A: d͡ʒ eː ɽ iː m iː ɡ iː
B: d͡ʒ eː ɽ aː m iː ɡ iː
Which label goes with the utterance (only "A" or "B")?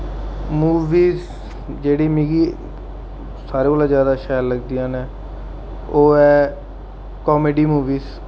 A